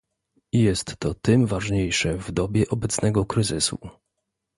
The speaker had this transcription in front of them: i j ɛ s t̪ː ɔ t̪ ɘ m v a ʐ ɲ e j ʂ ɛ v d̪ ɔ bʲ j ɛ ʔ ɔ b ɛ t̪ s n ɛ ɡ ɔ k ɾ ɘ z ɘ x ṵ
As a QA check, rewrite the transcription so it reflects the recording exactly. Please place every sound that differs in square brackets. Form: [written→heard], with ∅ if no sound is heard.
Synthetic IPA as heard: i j ɛ s t̪ː ɔ t̪ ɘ m v a ʐ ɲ e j ʂ ɛ v d̪ ɔ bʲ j ɛ ʔ ɔ b ɛ t̪ s n ɛ ɡ ɔ k ɾ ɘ z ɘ [x→s] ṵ